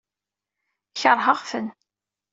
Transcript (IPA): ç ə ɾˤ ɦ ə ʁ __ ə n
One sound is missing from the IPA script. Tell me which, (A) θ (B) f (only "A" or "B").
B